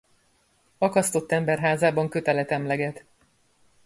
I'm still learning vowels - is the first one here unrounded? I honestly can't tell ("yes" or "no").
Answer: no